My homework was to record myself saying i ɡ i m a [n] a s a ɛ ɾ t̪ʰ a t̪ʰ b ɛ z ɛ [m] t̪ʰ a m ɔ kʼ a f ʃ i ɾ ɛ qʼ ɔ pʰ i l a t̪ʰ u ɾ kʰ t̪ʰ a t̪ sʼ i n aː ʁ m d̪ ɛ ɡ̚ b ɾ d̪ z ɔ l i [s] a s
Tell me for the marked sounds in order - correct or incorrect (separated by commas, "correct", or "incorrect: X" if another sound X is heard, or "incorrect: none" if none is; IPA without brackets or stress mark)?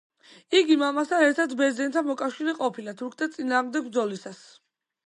incorrect: m, incorrect: n, correct